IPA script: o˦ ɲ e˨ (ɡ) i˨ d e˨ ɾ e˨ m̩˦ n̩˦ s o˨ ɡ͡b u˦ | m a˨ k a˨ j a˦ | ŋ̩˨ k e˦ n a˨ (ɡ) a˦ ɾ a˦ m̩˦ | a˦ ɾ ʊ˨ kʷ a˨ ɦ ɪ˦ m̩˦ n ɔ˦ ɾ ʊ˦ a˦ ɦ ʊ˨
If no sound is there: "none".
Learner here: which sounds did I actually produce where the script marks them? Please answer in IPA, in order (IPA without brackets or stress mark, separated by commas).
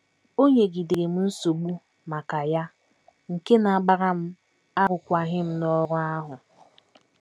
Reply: ɡ, ɡ͡b